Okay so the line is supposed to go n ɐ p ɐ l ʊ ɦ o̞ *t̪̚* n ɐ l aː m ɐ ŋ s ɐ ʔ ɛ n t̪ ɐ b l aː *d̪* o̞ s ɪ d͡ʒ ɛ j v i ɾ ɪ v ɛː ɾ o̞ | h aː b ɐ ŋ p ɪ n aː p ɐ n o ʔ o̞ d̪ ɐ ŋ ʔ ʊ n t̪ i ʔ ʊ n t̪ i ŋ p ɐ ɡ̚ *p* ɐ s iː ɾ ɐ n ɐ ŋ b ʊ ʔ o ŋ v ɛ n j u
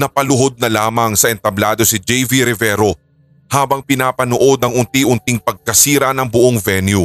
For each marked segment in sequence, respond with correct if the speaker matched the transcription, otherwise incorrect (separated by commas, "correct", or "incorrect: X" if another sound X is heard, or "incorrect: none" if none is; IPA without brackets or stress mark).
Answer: incorrect: d̪̚, correct, incorrect: k